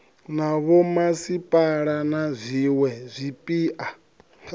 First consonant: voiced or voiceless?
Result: voiced